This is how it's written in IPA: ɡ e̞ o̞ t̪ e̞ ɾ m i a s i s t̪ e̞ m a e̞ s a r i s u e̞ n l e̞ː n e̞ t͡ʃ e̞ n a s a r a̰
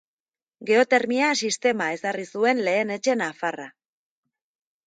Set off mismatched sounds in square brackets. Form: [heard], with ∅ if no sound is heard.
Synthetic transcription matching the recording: ɡ e̞ o̞ t̪ e̞ ɾ m i a s i s t̪ e̞ m a e̞ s a r i s u e̞ n l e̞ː n e̞ t͡ʃ e̞ n a [f] a r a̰